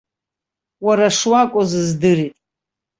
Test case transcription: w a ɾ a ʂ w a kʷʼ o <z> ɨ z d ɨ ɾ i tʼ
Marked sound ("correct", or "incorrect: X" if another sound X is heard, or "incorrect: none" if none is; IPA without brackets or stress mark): correct